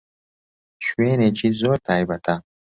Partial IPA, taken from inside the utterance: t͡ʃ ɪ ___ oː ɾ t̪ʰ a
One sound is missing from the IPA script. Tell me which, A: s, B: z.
B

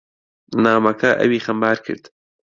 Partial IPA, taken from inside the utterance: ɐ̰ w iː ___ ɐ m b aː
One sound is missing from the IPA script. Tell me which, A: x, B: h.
A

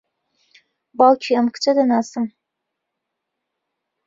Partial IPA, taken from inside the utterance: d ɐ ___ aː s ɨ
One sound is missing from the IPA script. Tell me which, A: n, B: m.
A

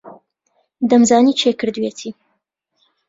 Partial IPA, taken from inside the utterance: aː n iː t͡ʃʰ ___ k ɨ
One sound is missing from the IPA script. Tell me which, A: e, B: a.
A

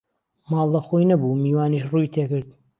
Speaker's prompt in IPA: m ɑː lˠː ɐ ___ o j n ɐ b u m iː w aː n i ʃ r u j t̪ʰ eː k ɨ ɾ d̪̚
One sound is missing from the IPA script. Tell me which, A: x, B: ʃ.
A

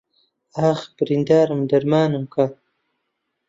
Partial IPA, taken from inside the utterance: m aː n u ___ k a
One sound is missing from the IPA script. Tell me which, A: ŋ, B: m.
B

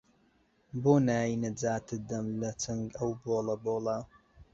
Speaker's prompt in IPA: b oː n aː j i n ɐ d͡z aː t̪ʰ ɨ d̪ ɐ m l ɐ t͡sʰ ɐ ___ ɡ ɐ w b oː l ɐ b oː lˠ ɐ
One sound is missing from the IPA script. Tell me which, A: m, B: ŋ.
B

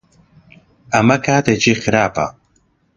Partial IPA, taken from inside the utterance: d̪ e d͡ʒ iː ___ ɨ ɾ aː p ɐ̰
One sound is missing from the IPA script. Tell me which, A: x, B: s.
A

